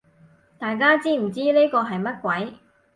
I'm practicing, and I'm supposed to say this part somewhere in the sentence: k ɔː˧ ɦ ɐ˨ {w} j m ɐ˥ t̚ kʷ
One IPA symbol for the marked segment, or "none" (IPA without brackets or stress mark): none